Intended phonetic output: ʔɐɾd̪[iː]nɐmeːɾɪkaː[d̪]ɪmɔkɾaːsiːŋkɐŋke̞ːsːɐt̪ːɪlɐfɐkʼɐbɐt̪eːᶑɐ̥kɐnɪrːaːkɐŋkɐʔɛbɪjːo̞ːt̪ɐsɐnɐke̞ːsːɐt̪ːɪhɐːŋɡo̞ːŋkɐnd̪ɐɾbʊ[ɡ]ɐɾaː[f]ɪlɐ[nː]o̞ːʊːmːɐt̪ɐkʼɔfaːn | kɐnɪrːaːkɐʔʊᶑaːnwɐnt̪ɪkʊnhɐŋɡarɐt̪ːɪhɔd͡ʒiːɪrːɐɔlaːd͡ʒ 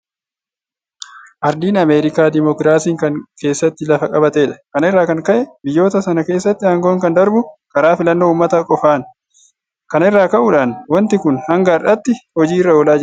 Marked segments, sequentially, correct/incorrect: correct, correct, incorrect, correct, correct

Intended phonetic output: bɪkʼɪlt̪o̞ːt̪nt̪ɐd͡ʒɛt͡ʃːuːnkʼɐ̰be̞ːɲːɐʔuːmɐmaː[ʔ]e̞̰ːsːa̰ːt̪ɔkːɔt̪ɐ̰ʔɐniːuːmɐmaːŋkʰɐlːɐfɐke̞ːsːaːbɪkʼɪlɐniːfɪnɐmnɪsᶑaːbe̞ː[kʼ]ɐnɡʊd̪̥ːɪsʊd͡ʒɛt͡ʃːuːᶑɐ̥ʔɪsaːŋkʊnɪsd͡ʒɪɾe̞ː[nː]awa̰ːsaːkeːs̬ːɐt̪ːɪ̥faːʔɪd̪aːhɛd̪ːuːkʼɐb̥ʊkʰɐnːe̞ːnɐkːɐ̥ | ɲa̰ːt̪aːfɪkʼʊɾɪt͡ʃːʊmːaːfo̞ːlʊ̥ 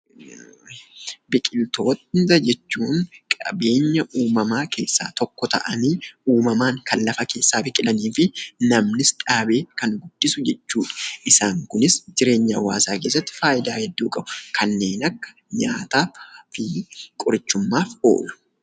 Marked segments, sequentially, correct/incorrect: incorrect, incorrect, incorrect

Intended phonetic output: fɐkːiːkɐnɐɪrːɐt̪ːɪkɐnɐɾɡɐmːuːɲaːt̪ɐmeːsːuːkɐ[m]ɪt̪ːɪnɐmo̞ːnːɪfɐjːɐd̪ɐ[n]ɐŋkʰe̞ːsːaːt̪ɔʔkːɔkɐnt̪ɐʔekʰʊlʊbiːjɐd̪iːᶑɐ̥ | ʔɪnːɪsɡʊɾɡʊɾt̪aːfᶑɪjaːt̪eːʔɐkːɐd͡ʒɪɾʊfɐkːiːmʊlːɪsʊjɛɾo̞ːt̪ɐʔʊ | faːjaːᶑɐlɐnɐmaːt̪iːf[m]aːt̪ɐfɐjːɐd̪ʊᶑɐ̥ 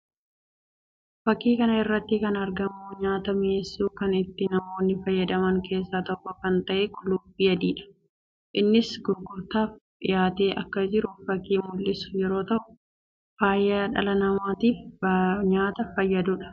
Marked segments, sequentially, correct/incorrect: incorrect, incorrect, incorrect

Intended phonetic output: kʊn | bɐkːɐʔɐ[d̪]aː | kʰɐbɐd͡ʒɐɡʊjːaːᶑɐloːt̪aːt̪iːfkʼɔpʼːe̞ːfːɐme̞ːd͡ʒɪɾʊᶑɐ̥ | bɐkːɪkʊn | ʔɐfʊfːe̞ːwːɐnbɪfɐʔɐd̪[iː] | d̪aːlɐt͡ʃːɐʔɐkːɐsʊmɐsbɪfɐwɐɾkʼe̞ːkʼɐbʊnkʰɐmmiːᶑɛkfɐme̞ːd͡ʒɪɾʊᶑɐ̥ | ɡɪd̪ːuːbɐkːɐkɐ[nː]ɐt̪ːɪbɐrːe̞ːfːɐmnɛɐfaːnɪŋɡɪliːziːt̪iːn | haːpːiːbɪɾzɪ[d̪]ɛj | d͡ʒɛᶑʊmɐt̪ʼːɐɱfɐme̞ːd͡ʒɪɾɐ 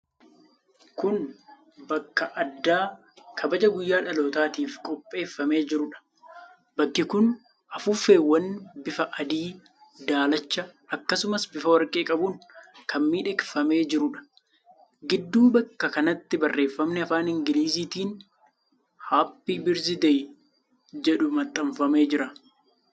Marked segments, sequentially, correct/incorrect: incorrect, correct, incorrect, correct

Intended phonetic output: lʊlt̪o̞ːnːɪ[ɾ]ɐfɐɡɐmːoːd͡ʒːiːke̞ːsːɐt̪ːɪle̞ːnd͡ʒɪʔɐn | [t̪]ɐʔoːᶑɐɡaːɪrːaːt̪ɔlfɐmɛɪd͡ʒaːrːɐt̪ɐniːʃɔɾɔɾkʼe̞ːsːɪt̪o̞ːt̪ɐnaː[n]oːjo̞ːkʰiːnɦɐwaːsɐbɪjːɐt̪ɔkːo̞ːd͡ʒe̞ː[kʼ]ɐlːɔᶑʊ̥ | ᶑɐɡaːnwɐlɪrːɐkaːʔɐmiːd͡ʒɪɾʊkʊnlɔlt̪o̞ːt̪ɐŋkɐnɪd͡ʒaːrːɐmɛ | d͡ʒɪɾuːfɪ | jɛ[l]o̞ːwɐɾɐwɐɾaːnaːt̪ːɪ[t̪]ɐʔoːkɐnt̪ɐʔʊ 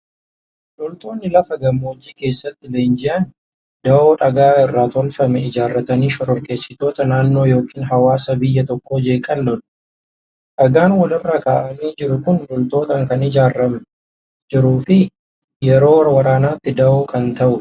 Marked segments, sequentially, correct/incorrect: incorrect, incorrect, incorrect, correct, incorrect, incorrect

